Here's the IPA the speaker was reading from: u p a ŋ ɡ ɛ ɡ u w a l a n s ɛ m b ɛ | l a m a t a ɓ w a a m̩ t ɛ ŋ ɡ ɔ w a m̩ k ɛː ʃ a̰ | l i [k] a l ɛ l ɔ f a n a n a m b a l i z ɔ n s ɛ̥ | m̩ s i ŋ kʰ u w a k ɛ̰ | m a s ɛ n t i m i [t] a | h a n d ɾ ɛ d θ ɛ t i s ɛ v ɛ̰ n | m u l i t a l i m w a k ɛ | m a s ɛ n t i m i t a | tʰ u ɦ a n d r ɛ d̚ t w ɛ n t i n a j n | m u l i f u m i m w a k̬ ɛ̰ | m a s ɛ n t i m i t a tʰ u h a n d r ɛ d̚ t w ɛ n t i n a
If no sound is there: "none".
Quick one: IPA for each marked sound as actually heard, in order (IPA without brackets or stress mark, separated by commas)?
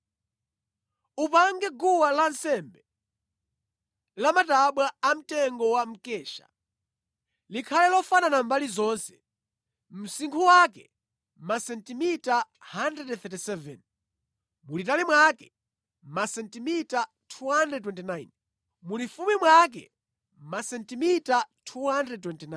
kʰ, t